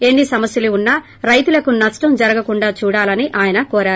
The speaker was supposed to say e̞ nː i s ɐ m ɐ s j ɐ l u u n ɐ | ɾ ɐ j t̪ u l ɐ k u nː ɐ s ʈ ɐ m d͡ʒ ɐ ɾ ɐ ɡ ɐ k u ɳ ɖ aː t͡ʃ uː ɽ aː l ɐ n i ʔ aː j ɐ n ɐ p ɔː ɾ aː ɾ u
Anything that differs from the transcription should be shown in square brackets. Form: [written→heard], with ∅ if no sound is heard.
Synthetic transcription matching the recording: e̞ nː i s ɐ m ɐ s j ɐ l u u [n→nː] ɐ | ɾ ɐ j t̪ u l ɐ k u [nː→n] ɐ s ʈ ɐ m d͡ʒ ɐ ɾ ɐ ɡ ɐ k u ɳ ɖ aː t͡ʃ uː ɽ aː l ɐ n i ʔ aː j ɐ n ɐ [p→k] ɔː ɾ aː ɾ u